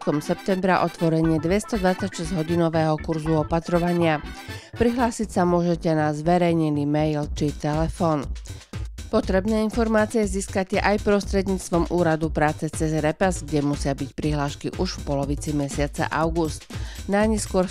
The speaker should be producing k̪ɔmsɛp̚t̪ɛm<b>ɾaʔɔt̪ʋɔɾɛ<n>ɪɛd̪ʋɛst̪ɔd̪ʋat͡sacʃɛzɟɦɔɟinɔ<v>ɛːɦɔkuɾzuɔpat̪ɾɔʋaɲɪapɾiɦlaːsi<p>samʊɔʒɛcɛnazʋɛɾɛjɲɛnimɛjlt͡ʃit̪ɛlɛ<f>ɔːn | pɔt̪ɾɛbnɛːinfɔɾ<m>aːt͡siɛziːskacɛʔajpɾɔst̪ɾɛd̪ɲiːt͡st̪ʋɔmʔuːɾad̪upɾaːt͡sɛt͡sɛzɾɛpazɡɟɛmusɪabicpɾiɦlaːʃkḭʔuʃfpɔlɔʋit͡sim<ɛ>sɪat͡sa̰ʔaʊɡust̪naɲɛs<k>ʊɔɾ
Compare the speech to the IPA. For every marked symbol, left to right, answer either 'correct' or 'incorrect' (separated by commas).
correct, incorrect, incorrect, incorrect, correct, correct, correct, correct